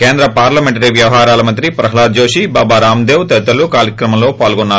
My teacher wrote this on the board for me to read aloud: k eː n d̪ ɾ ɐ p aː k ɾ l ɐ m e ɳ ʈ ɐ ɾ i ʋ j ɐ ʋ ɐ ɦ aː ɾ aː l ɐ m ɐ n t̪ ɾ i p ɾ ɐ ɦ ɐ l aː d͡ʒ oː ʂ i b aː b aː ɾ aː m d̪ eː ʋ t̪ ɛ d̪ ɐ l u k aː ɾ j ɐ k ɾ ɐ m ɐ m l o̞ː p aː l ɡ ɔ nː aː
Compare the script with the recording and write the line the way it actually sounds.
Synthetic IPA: k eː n d̪ ɾ ɐ p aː ɾ l ɐ m e ɳ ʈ ɐ ɾ i ʋ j ɐ ʋ ɐ ɦ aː ɾ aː l ɐ m ɐ n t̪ ɾ i p ɾ ɐ ɦ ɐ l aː d͡ʒ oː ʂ i b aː b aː ɾ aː m d̪ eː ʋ t̪ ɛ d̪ ɐ l u k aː ɾ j ɐ k ɾ ɐ m ɐ m l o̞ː p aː l ɡ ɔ nː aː